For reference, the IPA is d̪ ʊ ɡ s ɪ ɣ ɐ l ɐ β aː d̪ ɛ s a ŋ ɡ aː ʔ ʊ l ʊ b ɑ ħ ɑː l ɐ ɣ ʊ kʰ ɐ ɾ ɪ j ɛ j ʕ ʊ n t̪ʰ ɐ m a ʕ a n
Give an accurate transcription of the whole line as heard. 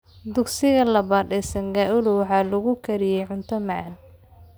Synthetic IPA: d̪ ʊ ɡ s ɪ ɣ ɐ l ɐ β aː d̪ ɛ s ɐ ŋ ɡ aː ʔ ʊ l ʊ w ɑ ħ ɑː l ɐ ɣ ʊ kʰ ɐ ɾ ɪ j ɛ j ʕ ʊ n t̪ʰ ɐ m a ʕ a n